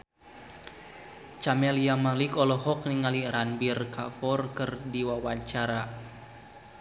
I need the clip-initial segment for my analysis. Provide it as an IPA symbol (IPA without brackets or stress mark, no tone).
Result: t͡ʃ